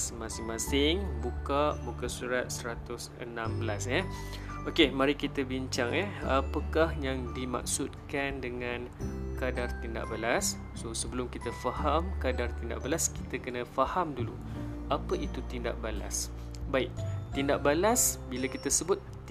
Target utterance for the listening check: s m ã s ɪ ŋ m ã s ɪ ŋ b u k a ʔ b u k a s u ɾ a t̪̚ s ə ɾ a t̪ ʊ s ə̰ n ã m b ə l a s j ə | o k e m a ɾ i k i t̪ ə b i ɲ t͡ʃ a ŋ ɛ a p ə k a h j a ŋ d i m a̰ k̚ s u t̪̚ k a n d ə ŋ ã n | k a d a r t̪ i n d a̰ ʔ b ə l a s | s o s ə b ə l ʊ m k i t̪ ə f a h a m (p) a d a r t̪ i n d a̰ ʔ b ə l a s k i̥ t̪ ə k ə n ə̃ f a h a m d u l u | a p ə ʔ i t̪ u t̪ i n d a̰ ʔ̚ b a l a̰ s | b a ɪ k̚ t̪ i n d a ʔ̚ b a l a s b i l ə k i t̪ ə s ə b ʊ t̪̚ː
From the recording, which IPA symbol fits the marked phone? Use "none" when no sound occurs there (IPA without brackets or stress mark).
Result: k